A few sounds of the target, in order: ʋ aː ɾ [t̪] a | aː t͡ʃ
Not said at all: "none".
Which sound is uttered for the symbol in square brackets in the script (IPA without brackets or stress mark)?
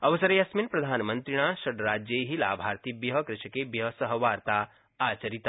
t̪